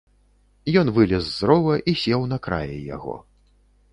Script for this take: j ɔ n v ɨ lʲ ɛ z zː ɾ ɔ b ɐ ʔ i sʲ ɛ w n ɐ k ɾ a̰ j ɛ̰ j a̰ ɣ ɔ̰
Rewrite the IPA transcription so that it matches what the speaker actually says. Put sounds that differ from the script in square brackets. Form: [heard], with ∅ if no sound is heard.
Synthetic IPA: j ɔ n v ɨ lʲ ɛ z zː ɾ ɔ [v] ɐ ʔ i sʲ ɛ w n ɐ k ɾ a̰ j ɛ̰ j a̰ ɣ ɔ̰